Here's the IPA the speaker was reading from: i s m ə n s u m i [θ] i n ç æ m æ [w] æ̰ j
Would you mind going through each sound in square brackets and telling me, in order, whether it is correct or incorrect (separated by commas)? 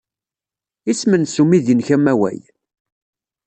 incorrect, correct